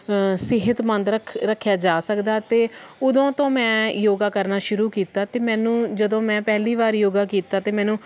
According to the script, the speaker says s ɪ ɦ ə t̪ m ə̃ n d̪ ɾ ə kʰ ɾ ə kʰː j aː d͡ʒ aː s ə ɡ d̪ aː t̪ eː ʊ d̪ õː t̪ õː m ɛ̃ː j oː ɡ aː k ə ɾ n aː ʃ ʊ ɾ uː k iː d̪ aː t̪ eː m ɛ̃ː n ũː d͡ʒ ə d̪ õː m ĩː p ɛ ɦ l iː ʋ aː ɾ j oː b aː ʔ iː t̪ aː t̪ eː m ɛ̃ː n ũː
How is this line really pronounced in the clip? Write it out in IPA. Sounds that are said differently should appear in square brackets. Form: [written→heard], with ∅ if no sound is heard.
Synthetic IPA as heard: s ɪ ɦ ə t̪ m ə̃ n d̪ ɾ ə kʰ ɾ ə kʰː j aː d͡ʒ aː s ə [ɡ→k] d̪ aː t̪ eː ʊ d̪ õː t̪ õː m ɛ̃ː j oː ɡ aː k ə ɾ n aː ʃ ʊ ɾ uː k iː [d̪→t̪] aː t̪ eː m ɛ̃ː n ũː d͡ʒ ə d̪ õː m [ĩː→ɛ̃ː] p ɛ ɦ l iː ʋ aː ɾ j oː [b→ɡ] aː [ʔ→k] iː t̪ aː t̪ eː m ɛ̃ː n ũː